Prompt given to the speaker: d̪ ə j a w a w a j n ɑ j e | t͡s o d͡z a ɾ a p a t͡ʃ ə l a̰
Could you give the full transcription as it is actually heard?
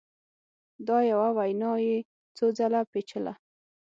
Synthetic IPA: d̪ ɑ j a w a w a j n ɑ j e | t͡s o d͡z a l a p e t͡ʃ ə l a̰